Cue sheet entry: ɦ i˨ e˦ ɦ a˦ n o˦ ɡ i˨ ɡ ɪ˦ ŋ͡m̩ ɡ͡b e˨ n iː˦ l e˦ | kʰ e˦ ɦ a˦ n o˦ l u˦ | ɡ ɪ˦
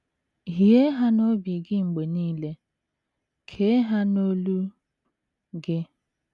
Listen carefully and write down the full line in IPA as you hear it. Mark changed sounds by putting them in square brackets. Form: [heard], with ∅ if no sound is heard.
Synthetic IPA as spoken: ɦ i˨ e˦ ɦ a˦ n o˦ [b] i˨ ɡ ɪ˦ ŋ͡m̩ ɡ͡b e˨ n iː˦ l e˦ | kʰ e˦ ɦ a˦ n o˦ l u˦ | ɡ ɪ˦